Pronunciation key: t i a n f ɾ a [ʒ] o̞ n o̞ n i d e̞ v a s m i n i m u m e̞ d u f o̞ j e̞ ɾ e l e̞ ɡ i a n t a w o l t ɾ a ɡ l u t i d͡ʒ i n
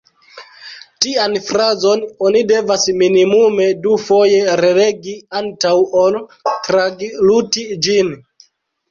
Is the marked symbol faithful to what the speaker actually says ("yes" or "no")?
no